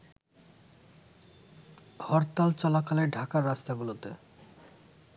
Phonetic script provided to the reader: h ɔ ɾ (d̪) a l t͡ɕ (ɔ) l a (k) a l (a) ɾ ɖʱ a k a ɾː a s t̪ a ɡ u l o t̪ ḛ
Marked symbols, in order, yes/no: no, yes, yes, no

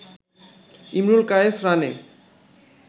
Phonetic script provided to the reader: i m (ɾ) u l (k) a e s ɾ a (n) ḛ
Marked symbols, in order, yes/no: yes, yes, yes

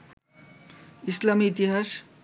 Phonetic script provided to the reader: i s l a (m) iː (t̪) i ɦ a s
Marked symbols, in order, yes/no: yes, yes

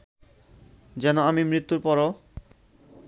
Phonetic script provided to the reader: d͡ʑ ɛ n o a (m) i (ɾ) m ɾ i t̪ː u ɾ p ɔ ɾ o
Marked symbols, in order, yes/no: yes, no

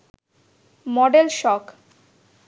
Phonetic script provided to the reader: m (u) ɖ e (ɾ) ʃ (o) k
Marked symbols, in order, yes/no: no, no, no

